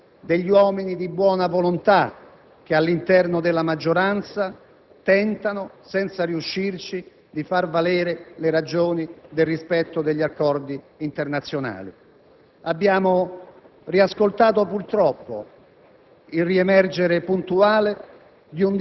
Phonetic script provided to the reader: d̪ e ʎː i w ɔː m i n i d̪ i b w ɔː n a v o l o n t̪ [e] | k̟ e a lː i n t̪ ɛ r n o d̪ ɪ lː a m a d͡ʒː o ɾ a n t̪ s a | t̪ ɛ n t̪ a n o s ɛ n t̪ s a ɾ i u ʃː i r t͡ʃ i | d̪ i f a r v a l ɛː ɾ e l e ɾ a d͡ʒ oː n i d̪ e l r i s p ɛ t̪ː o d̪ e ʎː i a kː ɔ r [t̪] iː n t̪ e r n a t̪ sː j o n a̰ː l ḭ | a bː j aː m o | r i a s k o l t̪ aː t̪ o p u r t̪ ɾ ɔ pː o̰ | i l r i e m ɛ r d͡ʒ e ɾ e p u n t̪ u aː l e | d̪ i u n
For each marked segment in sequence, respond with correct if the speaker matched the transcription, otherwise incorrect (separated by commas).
incorrect, incorrect